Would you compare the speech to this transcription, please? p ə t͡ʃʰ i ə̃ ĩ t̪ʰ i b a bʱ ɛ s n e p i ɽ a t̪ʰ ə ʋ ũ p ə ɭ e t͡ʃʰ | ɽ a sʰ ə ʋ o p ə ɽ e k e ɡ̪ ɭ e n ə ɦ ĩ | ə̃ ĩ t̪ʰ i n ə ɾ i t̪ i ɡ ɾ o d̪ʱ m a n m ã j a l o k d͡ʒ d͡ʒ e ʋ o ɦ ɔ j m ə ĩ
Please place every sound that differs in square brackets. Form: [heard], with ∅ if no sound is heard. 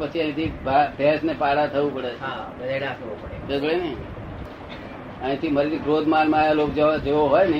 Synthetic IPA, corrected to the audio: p ə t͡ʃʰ i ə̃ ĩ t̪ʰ i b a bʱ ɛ s n e p [a] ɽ a t̪ʰ ə ʋ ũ p ə [ɽ] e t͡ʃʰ | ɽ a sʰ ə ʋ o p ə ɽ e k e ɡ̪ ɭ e n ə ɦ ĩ | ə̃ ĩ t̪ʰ i [m] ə ɾ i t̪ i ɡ ɾ o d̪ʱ m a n m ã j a l o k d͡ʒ d͡ʒ e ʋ o ɦ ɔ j [n] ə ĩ